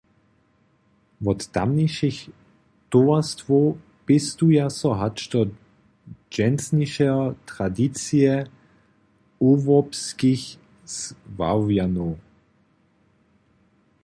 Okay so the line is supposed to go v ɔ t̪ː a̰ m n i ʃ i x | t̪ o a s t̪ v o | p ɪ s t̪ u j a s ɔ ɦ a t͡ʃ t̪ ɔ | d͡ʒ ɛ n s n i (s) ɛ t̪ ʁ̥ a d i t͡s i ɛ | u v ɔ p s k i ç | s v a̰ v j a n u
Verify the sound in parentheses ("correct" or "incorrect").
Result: incorrect